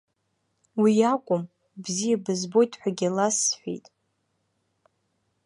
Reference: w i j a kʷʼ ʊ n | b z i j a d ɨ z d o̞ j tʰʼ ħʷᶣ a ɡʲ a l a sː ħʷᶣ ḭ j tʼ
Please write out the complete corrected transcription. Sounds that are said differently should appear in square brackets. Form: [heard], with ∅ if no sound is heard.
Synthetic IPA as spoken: w i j a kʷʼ ʊ [m] | b z i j a [b] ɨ z [b] o̞ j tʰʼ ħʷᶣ a ɡʲ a l a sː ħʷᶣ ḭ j tʼ